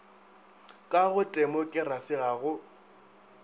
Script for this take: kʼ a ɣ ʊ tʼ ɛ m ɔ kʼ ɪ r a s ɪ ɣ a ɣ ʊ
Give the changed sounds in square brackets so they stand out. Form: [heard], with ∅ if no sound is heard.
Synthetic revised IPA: kʼ a ɣ ʊ tʼ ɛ m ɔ kʼ ɪ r a s ɪ ɣ a ɣ ʊ